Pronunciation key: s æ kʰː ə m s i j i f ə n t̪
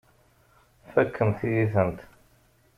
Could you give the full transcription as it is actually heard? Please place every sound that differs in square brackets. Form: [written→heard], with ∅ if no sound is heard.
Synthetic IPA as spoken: [s→f] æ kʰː ə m [s→θ] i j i [f→θ] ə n t̪